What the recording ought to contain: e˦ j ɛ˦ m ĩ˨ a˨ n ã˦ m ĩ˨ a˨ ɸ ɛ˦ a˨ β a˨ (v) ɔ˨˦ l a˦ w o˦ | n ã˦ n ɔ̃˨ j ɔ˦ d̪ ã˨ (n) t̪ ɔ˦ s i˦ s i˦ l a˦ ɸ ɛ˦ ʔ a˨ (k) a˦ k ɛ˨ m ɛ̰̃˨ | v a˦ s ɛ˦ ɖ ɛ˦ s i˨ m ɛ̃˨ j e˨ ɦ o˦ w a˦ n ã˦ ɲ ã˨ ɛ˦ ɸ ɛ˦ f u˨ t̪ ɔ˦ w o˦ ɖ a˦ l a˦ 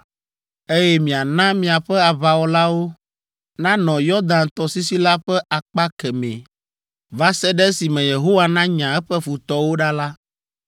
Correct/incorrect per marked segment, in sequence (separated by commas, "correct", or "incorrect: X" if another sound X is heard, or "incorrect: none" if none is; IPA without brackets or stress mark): incorrect: w, correct, incorrect: k͡p